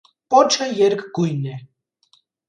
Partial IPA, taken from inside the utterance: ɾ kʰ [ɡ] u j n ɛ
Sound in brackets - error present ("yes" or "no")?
no